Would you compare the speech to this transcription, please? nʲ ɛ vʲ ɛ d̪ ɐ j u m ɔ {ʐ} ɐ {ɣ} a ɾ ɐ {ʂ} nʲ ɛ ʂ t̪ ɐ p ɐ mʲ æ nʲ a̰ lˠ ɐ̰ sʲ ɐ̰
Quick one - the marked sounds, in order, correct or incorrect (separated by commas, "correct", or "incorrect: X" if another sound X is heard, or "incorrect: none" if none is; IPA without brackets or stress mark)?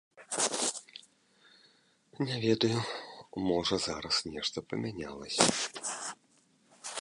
correct, incorrect: z, incorrect: s